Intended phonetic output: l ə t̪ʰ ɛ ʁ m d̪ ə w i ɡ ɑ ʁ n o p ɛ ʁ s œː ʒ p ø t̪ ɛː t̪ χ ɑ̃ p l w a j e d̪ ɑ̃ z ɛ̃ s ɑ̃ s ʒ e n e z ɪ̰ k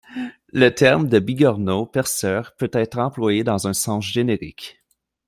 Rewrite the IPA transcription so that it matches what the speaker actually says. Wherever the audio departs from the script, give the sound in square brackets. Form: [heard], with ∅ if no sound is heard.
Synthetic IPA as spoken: l ə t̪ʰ ɛ ʁ m d̪ ə [b] i ɡ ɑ ʁ n o p ɛ ʁ s œː [ʁ] p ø t̪ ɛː t̪ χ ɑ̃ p l w a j e d̪ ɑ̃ z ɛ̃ s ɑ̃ s ʒ e n e [ʁ] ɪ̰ k